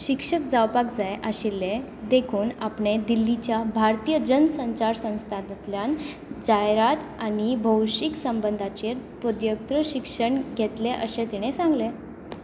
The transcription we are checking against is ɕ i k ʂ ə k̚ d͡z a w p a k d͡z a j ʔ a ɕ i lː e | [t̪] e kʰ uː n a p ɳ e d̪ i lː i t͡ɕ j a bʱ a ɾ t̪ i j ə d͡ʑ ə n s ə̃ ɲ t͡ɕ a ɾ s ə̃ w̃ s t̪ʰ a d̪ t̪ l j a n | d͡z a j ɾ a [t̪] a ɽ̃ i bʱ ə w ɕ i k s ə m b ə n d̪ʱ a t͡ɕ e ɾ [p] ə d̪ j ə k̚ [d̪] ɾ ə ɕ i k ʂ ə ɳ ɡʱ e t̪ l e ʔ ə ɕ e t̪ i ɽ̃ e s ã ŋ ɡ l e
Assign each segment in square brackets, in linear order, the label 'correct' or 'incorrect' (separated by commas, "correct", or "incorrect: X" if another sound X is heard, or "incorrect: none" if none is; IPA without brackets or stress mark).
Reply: incorrect: d̪, correct, correct, incorrect: t̪